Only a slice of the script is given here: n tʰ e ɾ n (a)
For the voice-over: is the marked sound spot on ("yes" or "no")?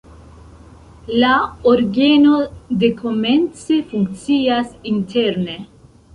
no